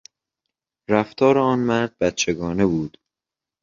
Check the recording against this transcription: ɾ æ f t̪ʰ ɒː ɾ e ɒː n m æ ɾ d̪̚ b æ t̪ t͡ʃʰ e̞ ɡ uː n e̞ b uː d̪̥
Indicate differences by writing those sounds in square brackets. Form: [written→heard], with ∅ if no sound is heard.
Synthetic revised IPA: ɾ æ f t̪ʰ ɒː ɾ e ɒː n m æ ɾ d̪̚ b æ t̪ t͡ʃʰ e̞ ɡ [uː→ɒː] n e̞ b uː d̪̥